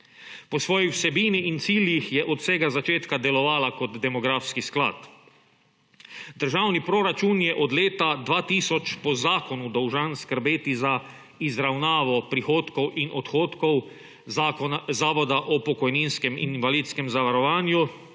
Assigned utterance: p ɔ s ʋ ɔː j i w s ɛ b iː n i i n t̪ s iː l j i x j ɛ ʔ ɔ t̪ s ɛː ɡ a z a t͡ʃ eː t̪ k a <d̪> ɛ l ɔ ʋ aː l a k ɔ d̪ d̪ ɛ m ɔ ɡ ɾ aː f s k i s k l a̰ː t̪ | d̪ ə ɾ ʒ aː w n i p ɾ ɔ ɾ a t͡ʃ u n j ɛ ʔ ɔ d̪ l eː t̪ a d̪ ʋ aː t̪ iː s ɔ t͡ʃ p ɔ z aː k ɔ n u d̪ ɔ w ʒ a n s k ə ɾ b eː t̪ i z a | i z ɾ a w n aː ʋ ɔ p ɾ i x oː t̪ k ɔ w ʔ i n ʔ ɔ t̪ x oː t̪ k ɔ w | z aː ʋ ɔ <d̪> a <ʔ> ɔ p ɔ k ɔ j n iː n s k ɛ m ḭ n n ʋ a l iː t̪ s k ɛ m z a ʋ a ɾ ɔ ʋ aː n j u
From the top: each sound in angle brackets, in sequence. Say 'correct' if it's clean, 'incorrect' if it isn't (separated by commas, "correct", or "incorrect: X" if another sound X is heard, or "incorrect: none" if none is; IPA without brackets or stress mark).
correct, correct, correct